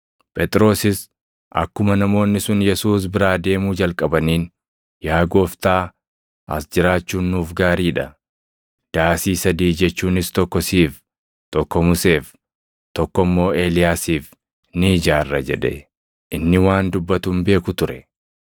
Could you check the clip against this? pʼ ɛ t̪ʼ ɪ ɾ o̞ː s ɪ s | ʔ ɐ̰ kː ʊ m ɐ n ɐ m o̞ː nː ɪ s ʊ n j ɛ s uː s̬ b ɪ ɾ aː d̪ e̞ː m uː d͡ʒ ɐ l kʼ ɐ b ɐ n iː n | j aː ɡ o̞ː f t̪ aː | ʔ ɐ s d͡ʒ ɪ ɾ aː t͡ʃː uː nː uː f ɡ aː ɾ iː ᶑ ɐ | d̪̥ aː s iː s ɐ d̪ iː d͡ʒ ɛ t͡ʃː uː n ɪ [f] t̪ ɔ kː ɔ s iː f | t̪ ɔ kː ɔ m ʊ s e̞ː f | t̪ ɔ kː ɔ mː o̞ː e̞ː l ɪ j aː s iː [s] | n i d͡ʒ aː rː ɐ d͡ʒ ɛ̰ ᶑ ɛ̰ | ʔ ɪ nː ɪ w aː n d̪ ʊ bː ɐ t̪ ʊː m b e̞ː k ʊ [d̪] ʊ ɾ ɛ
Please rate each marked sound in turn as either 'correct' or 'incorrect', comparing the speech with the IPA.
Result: incorrect, incorrect, incorrect

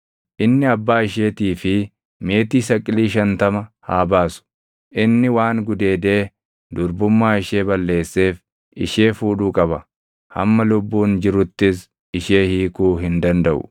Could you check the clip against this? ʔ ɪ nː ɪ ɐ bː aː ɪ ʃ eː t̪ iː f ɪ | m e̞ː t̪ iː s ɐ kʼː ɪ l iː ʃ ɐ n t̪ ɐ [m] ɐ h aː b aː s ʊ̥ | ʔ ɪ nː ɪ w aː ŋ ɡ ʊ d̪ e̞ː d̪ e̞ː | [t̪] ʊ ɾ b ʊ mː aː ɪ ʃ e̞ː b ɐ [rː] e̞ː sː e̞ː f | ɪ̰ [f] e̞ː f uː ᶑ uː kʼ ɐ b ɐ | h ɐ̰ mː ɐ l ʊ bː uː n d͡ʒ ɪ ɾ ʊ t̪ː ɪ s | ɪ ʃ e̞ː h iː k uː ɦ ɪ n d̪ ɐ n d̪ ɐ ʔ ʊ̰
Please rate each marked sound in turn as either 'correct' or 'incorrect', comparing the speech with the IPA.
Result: correct, incorrect, incorrect, incorrect

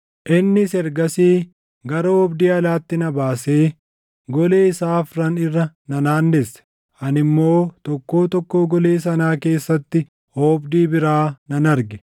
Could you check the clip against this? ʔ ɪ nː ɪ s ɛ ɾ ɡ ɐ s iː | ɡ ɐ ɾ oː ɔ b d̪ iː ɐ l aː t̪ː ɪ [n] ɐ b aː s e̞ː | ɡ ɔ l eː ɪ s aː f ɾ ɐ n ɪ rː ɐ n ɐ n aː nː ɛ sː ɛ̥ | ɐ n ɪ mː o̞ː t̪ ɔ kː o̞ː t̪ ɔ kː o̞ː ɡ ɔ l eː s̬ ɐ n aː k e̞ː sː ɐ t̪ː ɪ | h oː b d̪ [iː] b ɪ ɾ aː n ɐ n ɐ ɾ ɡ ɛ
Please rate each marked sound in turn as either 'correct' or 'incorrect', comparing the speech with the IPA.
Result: correct, correct

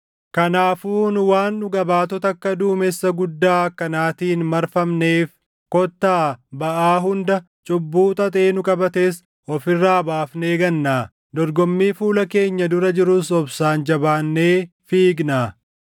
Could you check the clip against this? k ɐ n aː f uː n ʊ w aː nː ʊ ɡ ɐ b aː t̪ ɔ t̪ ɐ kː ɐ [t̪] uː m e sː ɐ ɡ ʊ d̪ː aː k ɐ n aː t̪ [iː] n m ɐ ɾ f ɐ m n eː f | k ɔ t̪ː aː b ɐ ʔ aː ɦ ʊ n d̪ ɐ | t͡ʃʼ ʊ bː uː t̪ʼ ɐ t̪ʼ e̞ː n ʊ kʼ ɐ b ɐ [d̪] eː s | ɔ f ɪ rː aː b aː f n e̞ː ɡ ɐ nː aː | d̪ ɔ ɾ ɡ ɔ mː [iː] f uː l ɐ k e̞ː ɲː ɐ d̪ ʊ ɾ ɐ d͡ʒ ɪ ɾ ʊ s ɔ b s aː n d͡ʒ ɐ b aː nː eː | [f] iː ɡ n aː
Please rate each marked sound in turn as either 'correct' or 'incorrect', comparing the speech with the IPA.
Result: incorrect, correct, incorrect, correct, correct

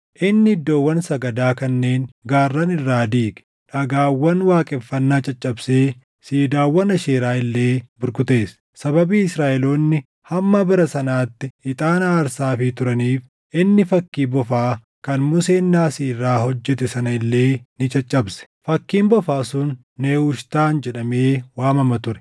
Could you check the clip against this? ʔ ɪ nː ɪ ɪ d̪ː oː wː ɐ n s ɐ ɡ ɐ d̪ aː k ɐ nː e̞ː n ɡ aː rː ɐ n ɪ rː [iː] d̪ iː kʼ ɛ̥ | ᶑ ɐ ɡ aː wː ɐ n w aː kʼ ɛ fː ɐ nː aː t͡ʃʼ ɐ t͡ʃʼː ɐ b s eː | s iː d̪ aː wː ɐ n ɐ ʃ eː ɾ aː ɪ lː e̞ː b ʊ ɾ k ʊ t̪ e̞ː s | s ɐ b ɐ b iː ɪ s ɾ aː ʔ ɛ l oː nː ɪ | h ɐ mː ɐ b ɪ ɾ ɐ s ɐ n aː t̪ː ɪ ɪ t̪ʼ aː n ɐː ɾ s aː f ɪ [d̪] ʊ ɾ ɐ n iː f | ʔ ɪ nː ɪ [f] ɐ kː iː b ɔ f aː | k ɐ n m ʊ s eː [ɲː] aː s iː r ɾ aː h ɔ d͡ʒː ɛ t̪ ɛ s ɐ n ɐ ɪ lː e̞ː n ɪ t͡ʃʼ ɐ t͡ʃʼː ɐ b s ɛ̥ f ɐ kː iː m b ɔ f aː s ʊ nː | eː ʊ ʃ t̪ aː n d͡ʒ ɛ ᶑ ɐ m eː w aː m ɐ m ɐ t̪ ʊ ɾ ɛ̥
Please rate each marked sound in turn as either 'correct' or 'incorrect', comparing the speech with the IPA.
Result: incorrect, incorrect, correct, incorrect

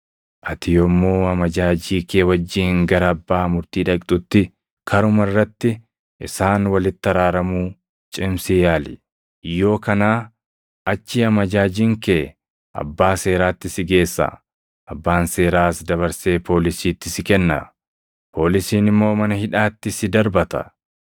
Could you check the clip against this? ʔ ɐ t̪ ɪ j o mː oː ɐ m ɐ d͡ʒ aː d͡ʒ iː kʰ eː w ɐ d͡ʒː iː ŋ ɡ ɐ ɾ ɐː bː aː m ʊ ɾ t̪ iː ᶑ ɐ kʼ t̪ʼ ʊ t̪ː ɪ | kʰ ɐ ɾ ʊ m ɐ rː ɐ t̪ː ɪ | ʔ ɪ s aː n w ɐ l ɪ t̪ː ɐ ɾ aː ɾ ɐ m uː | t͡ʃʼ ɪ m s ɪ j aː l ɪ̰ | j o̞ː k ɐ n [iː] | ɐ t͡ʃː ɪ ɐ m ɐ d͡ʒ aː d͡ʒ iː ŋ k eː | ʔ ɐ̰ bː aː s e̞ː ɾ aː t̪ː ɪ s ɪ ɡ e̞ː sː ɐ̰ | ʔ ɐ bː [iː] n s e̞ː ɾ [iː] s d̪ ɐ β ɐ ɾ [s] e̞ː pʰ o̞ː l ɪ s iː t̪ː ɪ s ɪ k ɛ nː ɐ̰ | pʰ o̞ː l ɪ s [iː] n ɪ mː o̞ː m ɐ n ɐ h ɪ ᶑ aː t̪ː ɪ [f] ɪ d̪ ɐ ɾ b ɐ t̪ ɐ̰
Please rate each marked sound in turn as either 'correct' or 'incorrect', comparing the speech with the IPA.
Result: incorrect, incorrect, incorrect, correct, correct, incorrect

